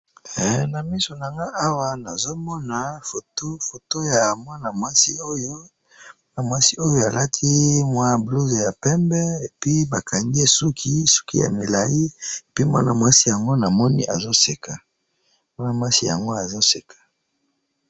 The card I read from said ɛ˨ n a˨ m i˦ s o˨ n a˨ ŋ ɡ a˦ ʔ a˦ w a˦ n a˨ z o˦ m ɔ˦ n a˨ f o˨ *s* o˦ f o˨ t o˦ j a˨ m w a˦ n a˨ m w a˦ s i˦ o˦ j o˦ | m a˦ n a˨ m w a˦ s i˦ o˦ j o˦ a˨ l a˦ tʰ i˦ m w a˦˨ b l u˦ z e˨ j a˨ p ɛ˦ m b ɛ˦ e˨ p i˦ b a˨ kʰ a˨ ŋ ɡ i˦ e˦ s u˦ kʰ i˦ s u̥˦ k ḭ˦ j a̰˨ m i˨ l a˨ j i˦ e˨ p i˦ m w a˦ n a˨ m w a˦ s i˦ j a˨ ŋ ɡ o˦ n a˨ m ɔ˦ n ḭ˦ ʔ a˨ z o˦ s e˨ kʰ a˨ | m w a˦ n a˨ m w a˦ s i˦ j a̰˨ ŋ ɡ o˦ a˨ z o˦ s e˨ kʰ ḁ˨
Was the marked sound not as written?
yes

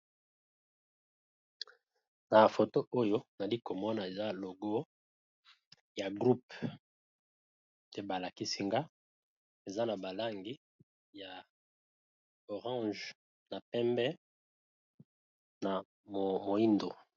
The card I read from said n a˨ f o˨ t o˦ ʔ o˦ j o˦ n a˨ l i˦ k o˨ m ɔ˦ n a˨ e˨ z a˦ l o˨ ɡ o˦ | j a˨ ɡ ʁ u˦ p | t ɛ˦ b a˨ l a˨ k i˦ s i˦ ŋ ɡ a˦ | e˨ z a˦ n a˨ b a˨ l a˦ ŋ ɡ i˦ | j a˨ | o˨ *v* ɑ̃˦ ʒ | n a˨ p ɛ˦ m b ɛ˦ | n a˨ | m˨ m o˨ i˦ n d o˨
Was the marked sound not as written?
yes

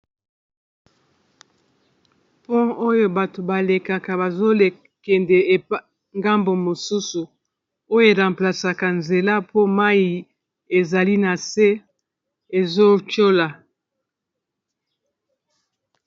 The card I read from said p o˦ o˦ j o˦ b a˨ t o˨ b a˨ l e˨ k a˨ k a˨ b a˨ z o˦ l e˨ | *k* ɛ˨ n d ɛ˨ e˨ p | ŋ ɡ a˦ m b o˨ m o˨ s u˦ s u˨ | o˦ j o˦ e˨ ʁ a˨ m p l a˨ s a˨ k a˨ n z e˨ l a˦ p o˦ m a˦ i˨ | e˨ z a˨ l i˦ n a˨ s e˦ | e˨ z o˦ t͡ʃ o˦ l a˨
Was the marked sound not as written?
no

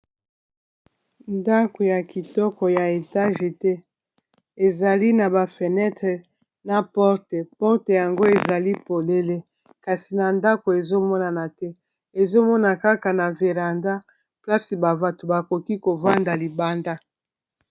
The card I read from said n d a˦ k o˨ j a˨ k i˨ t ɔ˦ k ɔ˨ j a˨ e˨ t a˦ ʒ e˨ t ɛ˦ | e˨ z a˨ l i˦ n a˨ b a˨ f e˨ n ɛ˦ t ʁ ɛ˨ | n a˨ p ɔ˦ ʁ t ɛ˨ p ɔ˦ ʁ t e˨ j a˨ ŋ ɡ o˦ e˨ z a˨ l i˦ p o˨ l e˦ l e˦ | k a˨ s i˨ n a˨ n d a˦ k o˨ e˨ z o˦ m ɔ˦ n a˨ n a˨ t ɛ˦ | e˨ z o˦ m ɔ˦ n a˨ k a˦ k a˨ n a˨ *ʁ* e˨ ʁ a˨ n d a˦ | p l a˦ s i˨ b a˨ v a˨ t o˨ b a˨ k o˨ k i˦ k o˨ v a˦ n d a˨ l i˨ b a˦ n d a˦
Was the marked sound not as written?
yes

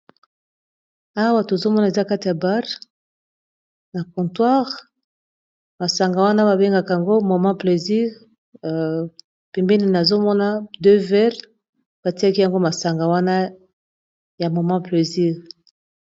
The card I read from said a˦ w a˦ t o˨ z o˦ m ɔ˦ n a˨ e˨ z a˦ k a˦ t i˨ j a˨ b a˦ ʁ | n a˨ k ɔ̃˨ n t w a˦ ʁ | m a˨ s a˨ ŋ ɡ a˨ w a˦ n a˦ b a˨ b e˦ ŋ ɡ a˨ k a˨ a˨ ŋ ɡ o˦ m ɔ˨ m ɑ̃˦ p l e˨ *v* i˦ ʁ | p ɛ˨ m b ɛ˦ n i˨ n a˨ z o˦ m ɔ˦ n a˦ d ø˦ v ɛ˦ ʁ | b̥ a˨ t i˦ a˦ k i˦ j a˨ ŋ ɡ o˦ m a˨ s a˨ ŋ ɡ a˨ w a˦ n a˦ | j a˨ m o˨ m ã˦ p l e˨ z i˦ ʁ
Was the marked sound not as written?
yes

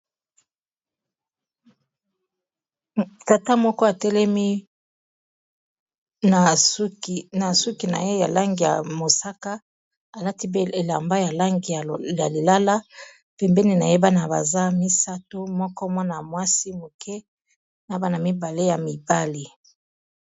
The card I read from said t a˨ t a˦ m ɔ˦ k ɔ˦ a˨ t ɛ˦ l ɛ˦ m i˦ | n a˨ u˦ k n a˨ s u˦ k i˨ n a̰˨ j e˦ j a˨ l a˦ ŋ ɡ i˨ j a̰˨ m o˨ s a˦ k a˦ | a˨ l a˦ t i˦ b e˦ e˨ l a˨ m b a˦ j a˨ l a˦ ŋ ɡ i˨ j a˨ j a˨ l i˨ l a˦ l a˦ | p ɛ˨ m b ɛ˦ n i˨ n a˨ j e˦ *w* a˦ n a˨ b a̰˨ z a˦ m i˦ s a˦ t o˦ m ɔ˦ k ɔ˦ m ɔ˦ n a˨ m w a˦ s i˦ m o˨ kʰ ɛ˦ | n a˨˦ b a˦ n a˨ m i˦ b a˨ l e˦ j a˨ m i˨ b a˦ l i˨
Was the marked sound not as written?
yes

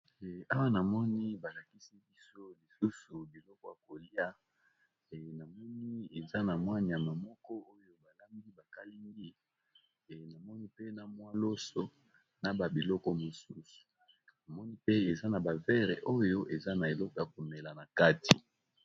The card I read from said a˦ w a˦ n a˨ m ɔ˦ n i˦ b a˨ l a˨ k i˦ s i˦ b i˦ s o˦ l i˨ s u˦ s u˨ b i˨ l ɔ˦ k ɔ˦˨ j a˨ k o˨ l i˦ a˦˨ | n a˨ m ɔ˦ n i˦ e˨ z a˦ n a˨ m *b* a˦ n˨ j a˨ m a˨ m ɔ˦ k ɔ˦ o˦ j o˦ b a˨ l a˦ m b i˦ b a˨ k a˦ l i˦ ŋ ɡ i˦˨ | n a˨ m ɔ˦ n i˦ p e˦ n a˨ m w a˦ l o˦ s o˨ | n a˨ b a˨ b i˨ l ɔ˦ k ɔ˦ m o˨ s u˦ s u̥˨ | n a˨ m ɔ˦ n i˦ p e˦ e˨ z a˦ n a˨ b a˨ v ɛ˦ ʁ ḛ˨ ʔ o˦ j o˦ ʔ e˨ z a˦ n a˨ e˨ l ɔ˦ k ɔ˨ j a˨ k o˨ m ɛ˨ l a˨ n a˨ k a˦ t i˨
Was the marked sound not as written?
yes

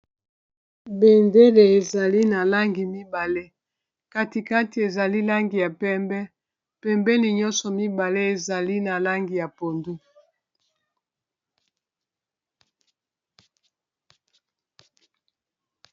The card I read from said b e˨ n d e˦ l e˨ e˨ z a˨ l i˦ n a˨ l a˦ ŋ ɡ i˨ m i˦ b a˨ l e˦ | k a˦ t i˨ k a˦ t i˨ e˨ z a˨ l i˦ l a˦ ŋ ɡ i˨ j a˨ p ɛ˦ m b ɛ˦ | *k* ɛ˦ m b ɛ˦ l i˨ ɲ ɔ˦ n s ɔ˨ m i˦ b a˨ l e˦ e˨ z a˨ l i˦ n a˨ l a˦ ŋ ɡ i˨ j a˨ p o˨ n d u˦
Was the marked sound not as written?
yes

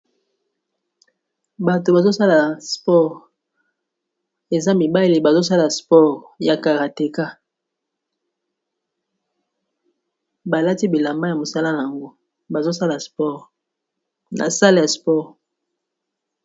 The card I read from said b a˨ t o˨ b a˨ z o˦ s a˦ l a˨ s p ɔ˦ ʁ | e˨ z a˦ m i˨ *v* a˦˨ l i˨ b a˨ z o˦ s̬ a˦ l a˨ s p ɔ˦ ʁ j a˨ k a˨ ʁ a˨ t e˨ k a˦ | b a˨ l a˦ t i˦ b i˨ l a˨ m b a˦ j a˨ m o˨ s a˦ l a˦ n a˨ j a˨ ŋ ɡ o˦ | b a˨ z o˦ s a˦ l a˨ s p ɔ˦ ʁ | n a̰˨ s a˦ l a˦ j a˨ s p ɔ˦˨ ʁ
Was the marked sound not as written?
yes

